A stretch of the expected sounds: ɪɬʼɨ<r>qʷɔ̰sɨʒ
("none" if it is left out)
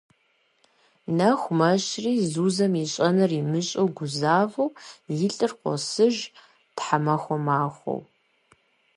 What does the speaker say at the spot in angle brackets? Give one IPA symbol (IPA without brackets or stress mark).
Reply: r